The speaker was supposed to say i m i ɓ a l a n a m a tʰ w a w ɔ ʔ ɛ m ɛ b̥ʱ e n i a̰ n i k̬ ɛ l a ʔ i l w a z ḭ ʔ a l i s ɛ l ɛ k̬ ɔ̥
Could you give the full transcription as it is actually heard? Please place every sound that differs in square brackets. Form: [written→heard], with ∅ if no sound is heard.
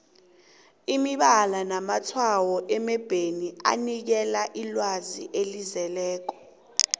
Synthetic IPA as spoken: i m i ɓ a l a n a m a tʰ w a w ɔ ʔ ɛ m ɛ b̥ʱ e n i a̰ n i k̬ ɛ l a ʔ i l w a z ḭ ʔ [a→e] l i [s→z] ɛ l [ɛ→ɛː] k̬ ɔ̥